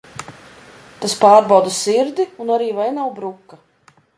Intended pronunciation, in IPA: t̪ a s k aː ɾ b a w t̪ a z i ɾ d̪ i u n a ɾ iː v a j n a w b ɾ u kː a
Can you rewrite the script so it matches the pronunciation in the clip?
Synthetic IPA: t̪ a s p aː ɾ b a w d̪ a s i ɾ d̪ i u n a ɾ iː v a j n a w b ɾ u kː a